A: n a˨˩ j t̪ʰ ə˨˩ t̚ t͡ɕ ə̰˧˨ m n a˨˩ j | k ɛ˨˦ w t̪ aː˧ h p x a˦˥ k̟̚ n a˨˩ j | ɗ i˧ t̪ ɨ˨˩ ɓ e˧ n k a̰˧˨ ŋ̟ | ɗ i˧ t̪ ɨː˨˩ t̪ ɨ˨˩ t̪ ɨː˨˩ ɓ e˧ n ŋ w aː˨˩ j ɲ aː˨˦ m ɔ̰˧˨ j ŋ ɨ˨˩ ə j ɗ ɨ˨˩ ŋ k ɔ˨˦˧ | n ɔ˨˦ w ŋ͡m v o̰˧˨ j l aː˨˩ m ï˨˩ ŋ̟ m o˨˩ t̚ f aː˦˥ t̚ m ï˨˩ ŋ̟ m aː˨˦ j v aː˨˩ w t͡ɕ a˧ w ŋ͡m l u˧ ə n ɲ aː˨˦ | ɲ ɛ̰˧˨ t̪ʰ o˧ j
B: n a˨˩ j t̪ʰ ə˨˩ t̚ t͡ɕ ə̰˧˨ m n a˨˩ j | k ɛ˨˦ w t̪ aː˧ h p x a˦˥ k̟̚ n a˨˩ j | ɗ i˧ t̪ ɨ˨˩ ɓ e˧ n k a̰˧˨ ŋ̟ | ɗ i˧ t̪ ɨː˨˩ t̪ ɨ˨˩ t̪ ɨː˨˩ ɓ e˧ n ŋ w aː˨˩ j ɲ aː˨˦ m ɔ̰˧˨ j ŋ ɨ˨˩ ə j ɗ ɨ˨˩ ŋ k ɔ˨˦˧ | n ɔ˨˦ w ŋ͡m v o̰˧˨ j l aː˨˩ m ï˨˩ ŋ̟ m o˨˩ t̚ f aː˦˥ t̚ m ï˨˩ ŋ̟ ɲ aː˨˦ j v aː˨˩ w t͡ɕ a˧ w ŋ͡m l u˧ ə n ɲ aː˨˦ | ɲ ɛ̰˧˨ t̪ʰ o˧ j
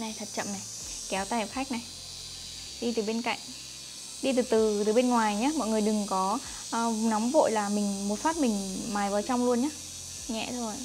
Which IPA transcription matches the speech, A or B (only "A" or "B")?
A